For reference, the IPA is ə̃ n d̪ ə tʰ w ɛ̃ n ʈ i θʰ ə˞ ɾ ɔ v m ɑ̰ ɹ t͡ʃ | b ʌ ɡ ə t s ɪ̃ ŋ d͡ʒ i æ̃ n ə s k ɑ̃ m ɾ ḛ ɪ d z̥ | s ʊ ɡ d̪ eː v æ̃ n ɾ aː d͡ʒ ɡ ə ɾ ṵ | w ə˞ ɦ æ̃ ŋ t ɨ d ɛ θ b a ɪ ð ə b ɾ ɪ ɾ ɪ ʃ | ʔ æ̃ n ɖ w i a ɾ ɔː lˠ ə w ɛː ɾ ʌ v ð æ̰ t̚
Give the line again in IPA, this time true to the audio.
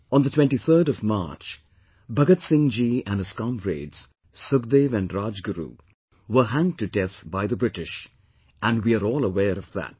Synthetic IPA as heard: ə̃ n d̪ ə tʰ w ɛ̃ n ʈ i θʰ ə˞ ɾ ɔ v m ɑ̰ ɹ t͡ʃ | b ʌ ɡ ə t s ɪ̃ ŋ d͡ʒ i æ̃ n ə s k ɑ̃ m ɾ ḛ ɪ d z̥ | s ʊ ɡ d̪ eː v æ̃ n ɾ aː d͡ʒ ɡ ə ɾ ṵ | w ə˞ ɦ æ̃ ŋ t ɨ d ɛ θ b a ɪ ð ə b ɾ ɪ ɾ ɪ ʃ | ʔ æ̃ n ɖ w i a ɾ ɔː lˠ ə w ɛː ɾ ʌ v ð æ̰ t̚